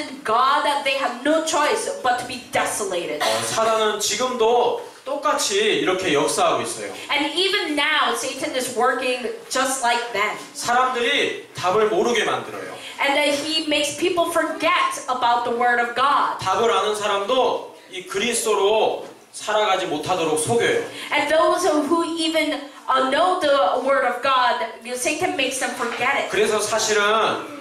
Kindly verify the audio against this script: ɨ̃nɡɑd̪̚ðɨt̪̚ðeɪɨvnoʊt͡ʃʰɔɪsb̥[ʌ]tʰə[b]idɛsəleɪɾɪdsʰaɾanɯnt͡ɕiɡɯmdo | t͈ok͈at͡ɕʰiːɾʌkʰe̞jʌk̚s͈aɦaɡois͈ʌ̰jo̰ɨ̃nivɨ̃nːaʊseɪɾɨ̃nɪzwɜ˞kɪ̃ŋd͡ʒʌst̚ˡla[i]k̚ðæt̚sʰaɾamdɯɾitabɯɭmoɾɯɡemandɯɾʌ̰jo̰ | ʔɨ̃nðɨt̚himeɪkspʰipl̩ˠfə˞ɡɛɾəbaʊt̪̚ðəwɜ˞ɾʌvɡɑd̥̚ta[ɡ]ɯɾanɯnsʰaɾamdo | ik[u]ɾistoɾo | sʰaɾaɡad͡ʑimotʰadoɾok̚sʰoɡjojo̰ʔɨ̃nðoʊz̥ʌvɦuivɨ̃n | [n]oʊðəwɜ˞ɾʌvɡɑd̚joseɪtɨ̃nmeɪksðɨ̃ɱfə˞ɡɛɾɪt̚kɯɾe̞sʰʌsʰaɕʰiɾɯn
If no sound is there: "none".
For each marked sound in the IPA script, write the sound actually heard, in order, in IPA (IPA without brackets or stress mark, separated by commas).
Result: ʌ, b, ɪ, b, ɯ, n